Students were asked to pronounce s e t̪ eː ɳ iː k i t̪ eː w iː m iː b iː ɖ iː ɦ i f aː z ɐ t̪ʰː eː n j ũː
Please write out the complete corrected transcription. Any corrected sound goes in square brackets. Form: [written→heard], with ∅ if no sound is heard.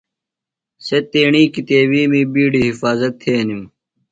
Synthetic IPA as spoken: s e t̪ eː ɳ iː k i t̪ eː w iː m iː b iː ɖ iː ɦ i f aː z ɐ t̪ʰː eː n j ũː